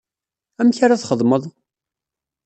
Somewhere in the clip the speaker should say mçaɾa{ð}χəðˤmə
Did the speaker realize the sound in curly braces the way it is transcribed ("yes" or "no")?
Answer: no